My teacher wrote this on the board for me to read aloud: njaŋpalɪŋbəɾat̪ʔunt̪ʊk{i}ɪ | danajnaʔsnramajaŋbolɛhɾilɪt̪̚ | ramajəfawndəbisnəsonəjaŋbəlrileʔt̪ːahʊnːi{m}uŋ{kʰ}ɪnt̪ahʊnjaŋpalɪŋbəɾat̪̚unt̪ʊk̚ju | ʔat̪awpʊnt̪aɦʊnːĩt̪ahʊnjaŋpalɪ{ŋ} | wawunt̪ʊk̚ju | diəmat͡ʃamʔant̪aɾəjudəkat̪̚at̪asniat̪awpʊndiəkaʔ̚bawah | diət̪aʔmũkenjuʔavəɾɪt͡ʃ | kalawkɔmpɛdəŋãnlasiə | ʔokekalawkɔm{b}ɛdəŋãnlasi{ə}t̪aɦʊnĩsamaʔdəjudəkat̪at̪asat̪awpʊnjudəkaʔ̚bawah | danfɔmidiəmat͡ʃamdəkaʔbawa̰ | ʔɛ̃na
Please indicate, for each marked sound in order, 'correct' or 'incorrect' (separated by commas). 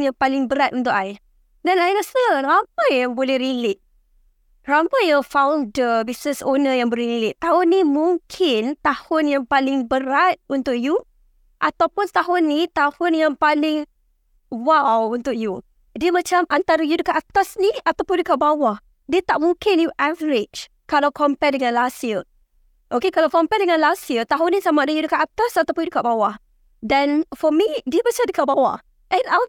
incorrect, correct, correct, correct, incorrect, correct